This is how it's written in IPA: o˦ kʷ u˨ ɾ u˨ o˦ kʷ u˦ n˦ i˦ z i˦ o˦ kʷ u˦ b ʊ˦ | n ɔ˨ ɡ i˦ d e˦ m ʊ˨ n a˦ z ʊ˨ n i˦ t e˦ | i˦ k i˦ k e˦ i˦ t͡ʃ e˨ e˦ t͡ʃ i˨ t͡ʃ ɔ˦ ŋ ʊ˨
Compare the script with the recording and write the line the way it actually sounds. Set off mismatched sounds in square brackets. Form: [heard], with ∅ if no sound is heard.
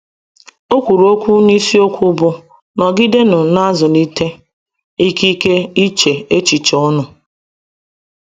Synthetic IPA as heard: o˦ kʷ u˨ ɾ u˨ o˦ kʷ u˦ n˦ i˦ [s] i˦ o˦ kʷ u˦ b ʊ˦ | n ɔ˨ ɡ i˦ d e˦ [n] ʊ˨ n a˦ z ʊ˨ n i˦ t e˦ | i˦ k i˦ k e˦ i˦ t͡ʃ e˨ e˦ t͡ʃ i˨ t͡ʃ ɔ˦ [n] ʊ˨